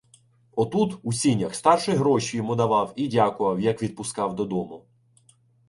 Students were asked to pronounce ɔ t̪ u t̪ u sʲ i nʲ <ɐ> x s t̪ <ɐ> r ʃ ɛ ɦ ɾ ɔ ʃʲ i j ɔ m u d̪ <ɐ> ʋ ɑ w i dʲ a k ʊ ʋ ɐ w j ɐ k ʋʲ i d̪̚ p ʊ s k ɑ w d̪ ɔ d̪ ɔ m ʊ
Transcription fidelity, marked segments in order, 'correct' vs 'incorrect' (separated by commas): correct, incorrect, correct